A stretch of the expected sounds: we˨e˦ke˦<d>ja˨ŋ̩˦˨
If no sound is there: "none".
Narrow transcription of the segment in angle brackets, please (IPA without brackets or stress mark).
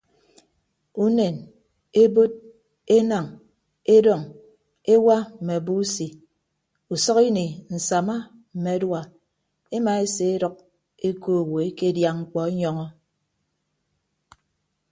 d